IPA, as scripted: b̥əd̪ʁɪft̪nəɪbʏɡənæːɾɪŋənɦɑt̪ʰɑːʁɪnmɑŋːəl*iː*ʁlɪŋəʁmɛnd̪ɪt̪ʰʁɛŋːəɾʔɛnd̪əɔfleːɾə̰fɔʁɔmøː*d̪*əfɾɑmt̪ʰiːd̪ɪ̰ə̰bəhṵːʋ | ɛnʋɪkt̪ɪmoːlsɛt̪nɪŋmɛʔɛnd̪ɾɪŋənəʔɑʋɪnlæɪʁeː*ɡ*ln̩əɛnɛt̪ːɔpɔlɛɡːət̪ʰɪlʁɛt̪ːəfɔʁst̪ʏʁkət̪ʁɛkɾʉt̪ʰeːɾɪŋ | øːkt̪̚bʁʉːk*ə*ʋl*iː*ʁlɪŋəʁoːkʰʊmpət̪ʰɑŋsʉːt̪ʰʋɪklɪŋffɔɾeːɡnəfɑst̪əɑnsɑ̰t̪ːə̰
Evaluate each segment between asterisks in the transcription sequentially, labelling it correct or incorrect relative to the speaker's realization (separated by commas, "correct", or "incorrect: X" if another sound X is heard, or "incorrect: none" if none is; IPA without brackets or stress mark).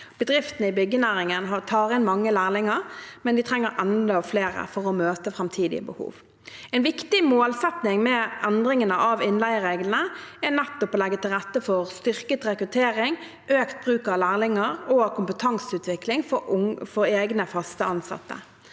incorrect: æː, incorrect: t̪, correct, incorrect: ɑ, incorrect: æː